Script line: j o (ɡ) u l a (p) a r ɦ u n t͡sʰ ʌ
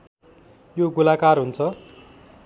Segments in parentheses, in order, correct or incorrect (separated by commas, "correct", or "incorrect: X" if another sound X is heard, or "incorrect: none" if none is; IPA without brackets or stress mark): correct, incorrect: k